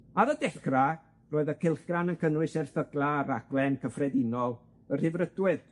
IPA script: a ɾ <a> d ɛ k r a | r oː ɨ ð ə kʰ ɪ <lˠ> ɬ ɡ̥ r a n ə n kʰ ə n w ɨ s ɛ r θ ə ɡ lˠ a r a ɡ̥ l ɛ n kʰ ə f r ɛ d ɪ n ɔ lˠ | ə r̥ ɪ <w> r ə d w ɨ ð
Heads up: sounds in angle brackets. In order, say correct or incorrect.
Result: incorrect, correct, incorrect

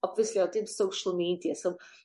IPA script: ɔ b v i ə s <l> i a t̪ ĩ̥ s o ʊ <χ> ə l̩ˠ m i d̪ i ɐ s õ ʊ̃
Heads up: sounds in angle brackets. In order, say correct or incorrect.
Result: correct, incorrect

